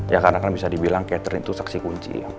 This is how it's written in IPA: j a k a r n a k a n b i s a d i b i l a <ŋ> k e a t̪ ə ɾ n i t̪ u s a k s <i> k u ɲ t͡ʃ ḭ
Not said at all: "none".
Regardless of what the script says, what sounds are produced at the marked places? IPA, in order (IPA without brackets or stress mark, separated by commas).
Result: ŋ, i